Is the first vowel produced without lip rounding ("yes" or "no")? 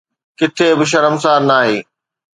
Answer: yes